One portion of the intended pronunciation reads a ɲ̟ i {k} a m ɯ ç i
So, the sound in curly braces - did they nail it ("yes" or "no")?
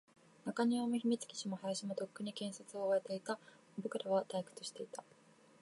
no